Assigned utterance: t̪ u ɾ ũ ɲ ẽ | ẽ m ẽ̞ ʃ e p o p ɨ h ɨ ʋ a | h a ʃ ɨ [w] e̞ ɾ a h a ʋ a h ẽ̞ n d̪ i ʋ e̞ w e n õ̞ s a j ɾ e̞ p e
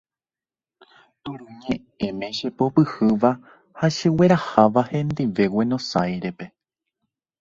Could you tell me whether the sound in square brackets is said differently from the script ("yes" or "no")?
no